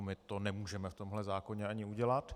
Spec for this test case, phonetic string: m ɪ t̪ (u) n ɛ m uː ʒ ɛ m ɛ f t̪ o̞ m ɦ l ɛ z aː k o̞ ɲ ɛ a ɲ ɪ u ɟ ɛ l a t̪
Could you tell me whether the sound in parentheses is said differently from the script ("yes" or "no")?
yes